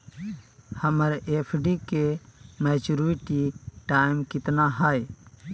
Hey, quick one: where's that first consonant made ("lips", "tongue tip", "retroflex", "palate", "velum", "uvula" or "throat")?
throat